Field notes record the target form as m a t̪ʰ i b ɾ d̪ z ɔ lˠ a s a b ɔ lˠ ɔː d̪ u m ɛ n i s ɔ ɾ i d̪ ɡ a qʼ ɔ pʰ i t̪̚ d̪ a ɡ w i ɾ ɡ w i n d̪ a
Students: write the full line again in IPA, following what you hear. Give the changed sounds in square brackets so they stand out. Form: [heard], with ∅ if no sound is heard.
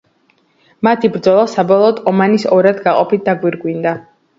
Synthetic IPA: m a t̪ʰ i b ɾ d̪ z ɔ lˠ a s a b ɔ lˠ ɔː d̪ [ɔ] m [a] n i s ɔ ɾ [a] d̪ ɡ a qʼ ɔ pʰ i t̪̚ d̪ a ɡ w i ɾ ɡ w i n d̪ a